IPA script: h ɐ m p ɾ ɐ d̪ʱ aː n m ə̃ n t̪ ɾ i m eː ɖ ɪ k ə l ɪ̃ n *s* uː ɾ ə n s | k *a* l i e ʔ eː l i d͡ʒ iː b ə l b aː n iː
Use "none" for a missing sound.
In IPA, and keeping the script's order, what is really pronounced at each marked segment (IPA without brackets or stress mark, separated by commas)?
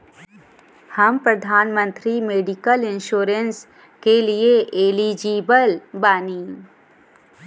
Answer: ʃ, e